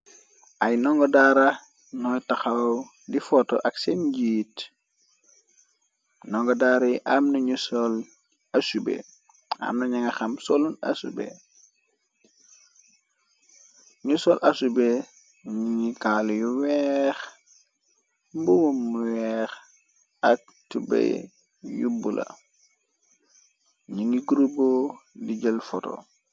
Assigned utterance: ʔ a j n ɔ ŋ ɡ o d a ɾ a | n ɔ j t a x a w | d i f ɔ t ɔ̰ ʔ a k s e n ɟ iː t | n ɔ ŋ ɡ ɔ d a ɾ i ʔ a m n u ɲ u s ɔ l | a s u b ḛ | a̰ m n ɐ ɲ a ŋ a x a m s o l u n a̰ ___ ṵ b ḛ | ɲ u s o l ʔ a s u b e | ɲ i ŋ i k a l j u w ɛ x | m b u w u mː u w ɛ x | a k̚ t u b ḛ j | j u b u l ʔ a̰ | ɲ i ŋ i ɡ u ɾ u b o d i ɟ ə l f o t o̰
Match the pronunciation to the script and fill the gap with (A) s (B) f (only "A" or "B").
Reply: A